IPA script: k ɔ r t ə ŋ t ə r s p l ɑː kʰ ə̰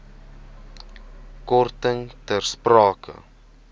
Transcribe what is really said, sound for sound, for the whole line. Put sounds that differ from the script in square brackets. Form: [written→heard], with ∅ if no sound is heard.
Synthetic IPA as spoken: k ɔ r t ə ŋ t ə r s p [l→r] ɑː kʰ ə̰